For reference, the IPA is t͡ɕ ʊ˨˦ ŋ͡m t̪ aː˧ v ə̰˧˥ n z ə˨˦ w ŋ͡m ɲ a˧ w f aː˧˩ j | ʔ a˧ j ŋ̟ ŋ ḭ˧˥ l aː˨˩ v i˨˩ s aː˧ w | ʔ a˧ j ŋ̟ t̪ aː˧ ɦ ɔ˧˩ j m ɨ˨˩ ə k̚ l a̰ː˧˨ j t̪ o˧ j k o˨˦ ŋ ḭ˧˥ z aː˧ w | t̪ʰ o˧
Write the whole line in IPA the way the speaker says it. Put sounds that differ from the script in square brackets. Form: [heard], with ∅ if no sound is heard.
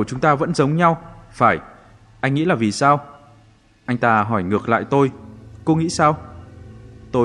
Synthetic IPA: t͡ɕ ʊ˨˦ ŋ͡m t̪ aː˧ v ə̰˧˥ n z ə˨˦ w ŋ͡m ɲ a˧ w f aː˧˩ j | ʔ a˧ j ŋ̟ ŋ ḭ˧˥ l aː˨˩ v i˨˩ s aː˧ w | ʔ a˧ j ŋ̟ t̪ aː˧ ɦ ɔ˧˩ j [ŋ] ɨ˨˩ ə k̚ l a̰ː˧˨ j t̪ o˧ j k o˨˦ ŋ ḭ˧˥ [s] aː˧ w | [t̪] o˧